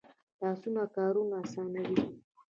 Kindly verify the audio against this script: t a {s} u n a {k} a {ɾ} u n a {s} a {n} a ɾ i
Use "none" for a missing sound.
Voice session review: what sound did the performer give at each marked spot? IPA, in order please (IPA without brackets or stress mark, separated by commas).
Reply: s, k, ɾ, s, n